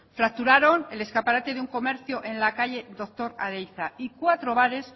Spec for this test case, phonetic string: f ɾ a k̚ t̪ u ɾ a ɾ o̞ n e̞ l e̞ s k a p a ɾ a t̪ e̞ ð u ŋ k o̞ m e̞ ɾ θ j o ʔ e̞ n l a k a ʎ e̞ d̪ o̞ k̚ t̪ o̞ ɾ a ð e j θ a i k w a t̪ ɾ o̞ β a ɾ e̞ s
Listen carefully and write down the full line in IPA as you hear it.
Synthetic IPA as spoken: f ɾ a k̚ t̪ u ɾ a ɾ o̞ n e̞ l e̞ s k a p a ɾ a t̪ e̞ ð u ŋ k o̞ m e̞ ɾ θ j o ʔ e̞ n l a k a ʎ e̞ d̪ o̞ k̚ t̪ o̞ ɾ a ð e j θ a i k w a t̪ ɾ o̞ β a ɾ e̞ s